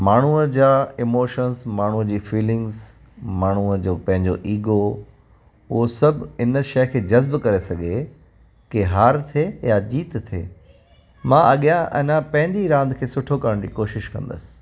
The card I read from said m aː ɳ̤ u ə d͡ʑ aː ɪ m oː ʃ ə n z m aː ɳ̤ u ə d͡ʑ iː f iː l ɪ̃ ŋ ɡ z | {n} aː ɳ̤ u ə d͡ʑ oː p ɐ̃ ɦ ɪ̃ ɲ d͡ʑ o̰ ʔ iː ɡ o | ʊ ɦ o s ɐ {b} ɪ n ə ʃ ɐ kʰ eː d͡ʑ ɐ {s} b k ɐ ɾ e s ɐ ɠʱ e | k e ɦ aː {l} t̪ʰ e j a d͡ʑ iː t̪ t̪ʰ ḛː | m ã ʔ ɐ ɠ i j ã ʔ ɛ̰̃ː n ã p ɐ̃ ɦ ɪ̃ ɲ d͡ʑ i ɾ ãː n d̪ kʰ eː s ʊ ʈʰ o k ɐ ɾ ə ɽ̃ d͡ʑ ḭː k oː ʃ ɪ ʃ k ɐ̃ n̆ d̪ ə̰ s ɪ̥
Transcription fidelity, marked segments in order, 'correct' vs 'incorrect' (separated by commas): incorrect, correct, incorrect, incorrect